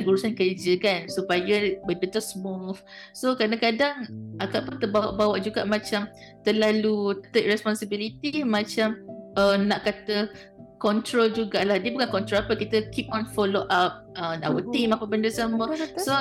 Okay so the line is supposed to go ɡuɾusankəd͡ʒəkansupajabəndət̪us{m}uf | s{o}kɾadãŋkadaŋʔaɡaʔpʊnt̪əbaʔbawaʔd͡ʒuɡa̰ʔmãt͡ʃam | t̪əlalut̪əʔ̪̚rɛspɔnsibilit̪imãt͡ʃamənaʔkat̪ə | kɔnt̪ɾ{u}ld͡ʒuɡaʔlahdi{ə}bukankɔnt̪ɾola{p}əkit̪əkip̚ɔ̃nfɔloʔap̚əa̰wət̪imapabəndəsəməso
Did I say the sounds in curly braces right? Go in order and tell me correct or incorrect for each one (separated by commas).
correct, correct, incorrect, correct, correct